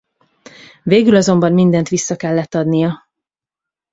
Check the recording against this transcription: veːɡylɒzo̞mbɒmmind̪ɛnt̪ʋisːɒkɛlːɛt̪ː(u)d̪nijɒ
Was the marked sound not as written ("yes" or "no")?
yes